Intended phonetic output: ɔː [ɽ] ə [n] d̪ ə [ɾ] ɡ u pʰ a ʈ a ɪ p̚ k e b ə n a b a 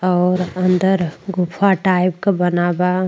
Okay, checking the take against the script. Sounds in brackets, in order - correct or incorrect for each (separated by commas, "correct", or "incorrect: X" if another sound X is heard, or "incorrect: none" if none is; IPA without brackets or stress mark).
incorrect: ɾ, correct, correct